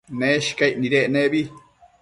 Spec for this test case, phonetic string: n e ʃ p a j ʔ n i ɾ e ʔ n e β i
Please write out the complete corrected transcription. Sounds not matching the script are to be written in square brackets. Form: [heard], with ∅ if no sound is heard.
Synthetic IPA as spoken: n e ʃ [k] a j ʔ n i ɾ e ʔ n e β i

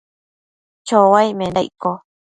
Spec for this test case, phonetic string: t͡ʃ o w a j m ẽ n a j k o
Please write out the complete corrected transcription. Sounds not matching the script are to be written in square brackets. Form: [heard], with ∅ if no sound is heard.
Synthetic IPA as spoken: t͡ʃ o w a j m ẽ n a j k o

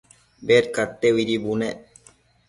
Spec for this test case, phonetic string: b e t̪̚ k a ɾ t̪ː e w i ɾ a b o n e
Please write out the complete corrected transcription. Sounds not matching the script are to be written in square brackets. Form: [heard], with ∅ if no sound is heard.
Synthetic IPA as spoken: b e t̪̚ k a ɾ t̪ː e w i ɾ [i] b [u] n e

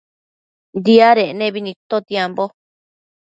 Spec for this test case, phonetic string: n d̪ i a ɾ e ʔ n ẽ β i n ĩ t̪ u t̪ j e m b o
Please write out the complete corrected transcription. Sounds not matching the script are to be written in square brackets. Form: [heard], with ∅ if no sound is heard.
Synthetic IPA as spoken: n d̪ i a ɾ e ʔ n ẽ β i n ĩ t̪ [o] t̪ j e m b o

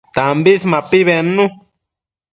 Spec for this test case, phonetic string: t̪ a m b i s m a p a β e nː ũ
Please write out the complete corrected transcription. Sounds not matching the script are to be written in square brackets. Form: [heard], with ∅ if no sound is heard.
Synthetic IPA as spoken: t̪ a m b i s m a p [i] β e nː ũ

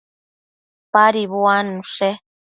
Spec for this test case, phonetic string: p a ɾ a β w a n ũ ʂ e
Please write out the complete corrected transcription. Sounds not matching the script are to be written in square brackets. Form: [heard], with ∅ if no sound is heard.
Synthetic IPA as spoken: p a ɾ [i] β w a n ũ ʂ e

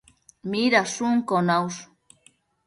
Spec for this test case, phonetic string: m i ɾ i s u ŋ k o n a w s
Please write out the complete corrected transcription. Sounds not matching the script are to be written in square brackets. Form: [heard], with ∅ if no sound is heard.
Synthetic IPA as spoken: m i ɾ [a] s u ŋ k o n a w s

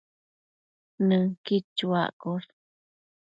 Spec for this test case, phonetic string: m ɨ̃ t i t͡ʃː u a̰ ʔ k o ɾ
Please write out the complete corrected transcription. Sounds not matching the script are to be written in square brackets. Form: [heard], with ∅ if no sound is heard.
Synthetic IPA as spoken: [n] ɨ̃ [k] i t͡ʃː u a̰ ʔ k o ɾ

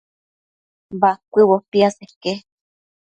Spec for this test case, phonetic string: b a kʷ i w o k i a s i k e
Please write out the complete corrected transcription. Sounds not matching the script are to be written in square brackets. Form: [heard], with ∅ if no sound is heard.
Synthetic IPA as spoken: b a kʷ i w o [p] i a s [e] k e

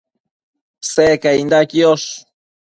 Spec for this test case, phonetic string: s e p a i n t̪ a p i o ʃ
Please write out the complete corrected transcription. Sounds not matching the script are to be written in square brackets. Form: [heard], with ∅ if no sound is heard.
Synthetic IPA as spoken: s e [k] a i n [d̪] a [k] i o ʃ

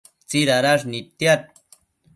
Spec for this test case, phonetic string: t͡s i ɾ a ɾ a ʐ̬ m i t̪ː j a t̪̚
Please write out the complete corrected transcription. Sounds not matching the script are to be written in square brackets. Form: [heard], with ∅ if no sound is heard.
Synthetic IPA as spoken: t͡s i ɾ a ɾ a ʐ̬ [n] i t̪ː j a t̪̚

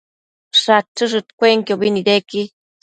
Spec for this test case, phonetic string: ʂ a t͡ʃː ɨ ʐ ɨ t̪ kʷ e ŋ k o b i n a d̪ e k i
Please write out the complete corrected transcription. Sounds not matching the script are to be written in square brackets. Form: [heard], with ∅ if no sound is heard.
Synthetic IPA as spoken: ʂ a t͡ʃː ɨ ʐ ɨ t̪ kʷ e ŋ k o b i n [i] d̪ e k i

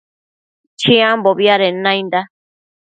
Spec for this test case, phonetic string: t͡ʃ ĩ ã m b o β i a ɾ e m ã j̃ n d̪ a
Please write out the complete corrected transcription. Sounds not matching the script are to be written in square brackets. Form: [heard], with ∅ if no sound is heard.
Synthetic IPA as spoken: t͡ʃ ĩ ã m b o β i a ɾ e [n] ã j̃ n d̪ a

